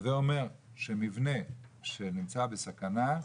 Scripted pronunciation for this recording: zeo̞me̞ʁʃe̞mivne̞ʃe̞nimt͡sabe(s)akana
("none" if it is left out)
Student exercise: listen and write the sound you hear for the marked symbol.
s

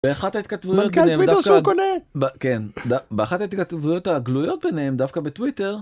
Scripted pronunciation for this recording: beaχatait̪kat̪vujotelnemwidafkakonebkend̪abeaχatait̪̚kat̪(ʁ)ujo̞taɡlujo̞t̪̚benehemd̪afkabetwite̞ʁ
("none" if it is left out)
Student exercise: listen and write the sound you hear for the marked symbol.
v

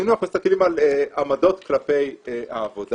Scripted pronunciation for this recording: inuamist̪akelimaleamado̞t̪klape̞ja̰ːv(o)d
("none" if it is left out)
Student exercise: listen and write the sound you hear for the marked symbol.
o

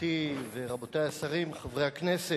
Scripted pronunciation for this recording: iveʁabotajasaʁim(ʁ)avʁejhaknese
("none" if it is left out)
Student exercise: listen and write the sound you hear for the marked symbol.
χ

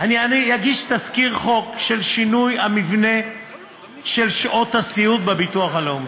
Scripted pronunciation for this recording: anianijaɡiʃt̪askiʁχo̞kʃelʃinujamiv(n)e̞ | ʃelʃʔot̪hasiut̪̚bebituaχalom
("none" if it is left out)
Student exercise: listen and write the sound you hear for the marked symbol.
n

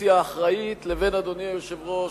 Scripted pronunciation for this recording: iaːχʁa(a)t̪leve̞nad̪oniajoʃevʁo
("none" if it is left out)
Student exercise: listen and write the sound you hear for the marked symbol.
i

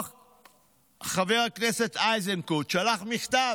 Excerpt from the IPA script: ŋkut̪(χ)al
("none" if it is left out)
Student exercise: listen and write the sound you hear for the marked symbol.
ʃ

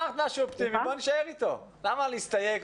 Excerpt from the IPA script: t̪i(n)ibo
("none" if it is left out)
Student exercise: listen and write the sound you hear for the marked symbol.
m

